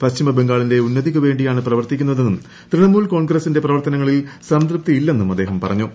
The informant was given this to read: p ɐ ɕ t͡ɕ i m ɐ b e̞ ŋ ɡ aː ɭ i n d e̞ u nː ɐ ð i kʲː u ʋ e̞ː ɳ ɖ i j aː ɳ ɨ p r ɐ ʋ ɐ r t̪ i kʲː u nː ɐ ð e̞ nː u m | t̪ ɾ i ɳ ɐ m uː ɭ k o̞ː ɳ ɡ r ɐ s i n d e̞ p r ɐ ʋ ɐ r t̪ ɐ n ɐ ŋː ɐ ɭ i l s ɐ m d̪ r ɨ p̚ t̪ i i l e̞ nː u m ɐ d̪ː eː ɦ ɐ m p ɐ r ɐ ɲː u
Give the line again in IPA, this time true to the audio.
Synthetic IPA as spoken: p ɐ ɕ t͡ɕ i m ɐ b e̞ ŋ ɡ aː ɭ i n d e̞ u nː ɐ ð i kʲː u ʋ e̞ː ɳ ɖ i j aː ɳ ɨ p r ɐ ʋ ɐ r t̪ i kʲː u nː ɐ ð e̞ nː u m | t̪ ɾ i ɳ ɐ m uː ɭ k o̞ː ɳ ɡ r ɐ s i n d e̞ p r ɐ ʋ ɐ r t̪ ɐ n ɐ ŋː ɐ ɭ i l s ɐ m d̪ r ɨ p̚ t̪ i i lː e̞ nː u m ɐ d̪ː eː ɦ ɐ m p ɐ r ɐ ɲː u